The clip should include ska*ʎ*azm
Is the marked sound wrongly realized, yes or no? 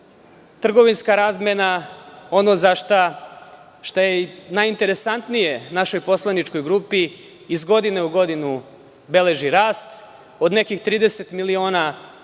yes